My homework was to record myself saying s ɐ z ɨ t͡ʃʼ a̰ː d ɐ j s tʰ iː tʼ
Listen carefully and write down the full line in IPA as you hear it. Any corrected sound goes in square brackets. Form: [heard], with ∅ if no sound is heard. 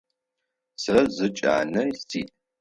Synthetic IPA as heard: s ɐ z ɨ t͡ʃʼ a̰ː [n] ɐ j s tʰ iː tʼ